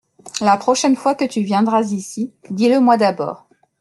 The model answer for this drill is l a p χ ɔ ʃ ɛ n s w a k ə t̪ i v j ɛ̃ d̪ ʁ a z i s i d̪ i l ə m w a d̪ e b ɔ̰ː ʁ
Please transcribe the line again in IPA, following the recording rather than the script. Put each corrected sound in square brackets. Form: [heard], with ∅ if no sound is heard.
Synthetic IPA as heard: l a p χ ɔ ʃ ɛ n [f] w a k ə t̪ [y] v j ɛ̃ d̪ ʁ a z i s i d̪ i l ə m w a d̪ [a] b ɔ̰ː ʁ